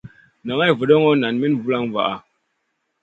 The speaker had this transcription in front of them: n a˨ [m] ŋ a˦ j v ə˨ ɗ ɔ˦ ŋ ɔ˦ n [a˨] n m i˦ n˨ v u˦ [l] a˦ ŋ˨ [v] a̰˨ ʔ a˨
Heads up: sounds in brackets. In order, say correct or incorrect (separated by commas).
incorrect, correct, correct, correct